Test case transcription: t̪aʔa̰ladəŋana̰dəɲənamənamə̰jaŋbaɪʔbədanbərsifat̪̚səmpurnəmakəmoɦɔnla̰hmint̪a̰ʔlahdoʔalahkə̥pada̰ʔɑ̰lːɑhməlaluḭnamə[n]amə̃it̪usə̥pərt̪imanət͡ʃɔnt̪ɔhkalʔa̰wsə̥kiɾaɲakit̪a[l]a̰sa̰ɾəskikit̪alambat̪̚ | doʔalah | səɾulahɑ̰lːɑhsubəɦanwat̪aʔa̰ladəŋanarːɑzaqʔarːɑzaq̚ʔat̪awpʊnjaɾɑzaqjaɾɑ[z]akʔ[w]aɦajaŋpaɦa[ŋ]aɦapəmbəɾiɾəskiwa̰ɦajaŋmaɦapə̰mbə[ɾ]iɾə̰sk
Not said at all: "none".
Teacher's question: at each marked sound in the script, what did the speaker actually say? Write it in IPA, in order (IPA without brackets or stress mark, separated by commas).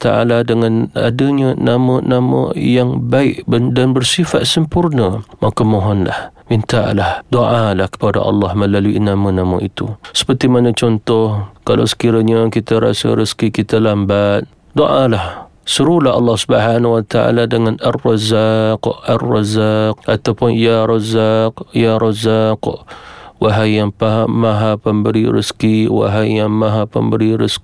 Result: n, ɾ, z, w, m, ɾ